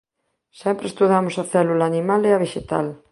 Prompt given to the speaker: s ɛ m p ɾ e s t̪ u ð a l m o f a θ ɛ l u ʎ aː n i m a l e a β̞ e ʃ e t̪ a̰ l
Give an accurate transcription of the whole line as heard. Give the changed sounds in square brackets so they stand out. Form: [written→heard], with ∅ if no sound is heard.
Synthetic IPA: s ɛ m p ɾ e s t̪ u ð a [l→∅] m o [f→s] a θ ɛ l u [ʎ→l] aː n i m a l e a β̞ e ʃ e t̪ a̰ l